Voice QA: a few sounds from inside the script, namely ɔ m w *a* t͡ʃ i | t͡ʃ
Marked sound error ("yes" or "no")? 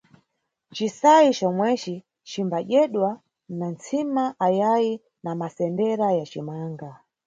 yes